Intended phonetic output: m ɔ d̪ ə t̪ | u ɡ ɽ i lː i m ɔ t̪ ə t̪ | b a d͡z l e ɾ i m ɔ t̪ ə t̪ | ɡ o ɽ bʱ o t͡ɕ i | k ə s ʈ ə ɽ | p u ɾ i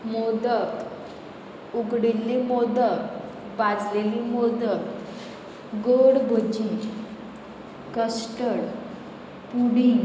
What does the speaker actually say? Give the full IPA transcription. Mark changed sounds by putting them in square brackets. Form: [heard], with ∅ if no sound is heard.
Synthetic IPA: m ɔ d̪ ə t̪ | u ɡ ɽ i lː i m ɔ [d̪] ə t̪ | b a d͡z l e [l] i m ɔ [d̪] ə t̪ | ɡ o ɽ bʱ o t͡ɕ i | k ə s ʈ ə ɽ | p u [ɽ] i